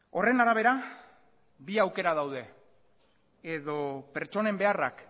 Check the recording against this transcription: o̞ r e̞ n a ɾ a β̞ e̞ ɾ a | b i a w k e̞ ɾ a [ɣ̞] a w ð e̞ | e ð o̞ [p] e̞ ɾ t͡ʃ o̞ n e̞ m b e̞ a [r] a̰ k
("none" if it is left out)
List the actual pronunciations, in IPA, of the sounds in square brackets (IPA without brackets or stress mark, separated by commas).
ð̞, p, r